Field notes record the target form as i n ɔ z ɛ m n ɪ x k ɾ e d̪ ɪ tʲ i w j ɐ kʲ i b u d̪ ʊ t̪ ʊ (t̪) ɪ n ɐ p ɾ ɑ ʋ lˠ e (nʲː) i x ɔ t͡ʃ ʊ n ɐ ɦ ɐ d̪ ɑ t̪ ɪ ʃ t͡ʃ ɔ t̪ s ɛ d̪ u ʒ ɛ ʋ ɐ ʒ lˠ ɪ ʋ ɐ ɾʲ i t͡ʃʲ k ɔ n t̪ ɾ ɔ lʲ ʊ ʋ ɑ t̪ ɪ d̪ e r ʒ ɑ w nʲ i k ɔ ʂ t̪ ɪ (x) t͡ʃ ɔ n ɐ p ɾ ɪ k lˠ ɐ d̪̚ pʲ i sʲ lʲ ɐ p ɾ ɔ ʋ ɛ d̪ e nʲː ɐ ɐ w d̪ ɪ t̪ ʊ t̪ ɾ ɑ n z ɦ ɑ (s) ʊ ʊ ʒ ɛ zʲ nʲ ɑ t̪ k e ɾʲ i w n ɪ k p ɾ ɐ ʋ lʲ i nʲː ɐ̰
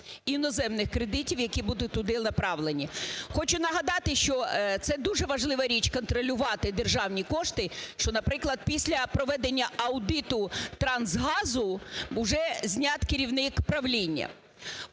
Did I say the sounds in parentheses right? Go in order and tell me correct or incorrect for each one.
incorrect: d̪, incorrect: nʲ, incorrect: ʃ, incorrect: z

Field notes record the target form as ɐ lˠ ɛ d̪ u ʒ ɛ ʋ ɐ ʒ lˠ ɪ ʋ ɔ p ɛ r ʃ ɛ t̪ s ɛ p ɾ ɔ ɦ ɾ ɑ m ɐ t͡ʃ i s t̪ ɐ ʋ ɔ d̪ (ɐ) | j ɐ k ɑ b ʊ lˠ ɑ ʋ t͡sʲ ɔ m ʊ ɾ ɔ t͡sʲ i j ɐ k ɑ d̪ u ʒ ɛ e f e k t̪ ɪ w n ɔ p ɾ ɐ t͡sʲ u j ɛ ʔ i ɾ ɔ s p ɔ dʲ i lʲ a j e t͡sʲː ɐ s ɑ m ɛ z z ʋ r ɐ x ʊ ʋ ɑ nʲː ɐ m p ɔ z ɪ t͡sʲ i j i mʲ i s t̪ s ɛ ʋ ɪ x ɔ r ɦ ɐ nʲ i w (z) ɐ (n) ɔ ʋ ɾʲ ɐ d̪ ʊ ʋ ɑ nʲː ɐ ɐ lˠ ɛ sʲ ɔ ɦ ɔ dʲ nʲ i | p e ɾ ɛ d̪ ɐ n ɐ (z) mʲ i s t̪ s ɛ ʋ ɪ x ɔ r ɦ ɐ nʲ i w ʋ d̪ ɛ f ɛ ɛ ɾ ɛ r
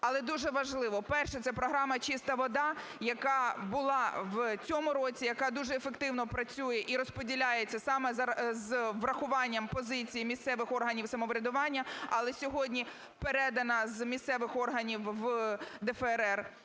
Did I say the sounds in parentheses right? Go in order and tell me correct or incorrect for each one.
incorrect: ɑ, incorrect: s, incorrect: m, correct

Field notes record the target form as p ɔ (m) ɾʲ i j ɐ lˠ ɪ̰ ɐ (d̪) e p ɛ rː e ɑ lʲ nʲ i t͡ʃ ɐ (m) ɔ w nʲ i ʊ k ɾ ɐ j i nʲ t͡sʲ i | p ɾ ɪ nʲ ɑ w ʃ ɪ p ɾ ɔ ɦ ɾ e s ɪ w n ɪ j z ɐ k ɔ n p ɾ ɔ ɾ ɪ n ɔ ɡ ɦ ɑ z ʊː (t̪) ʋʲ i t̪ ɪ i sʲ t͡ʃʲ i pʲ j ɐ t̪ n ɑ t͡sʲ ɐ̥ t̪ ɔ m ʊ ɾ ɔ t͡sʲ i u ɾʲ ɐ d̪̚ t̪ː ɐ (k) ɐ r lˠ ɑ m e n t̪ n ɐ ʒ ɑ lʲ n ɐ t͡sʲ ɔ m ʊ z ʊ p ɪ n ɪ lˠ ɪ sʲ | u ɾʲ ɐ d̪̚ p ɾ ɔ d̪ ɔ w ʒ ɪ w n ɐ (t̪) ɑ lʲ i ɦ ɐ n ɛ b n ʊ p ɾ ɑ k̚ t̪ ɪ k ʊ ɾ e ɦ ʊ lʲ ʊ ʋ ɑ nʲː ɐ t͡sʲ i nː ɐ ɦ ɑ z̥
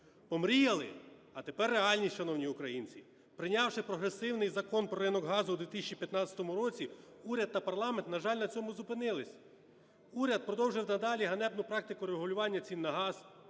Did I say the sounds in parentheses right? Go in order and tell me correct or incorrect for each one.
correct, incorrect: t̪, incorrect: n, incorrect: d̪, incorrect: p, incorrect: d̪

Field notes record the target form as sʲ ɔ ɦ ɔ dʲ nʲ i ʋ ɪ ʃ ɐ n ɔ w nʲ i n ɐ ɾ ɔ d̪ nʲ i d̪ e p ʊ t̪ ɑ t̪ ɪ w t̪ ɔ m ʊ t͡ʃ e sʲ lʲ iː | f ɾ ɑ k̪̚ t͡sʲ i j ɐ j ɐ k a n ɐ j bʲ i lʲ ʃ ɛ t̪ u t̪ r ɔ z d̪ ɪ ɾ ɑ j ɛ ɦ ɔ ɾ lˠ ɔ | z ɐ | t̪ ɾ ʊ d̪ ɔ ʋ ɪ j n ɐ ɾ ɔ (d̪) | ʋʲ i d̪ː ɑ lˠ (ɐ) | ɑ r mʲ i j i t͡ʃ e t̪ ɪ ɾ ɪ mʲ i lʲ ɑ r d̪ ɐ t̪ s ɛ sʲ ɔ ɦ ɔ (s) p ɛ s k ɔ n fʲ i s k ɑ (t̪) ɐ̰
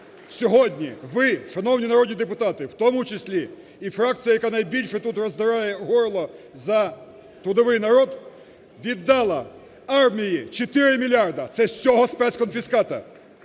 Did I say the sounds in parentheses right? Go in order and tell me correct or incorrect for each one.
correct, correct, correct, correct

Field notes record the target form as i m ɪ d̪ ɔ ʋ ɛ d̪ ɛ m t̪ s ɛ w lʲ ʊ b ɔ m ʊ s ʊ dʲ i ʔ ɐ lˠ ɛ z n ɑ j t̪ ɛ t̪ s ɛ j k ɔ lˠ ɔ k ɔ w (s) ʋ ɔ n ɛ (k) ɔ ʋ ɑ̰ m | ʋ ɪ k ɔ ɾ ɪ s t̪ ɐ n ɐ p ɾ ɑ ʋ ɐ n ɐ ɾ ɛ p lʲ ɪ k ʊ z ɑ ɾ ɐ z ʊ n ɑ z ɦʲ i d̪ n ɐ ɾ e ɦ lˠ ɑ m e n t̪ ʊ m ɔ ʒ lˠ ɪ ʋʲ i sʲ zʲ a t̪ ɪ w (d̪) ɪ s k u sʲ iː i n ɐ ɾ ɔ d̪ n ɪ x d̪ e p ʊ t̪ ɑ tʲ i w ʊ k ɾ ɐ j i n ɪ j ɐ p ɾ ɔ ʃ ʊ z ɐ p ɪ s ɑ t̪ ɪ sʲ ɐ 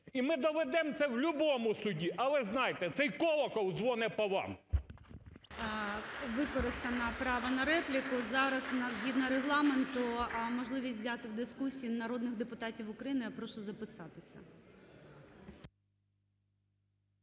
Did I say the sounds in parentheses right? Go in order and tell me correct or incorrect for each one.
incorrect: z, incorrect: p, correct

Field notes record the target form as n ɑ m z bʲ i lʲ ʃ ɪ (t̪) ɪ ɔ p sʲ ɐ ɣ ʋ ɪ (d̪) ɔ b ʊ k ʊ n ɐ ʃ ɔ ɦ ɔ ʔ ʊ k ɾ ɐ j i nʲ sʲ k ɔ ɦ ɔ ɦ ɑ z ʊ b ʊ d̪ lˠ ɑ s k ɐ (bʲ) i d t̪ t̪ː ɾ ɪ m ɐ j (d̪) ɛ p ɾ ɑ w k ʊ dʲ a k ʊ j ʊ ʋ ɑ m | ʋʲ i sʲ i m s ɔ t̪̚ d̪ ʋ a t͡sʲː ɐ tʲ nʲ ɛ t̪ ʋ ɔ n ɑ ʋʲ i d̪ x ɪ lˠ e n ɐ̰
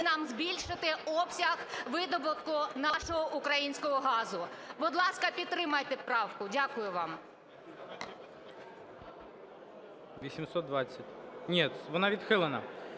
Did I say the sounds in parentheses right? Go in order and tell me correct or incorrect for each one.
correct, correct, incorrect: pʲ, incorrect: t̪

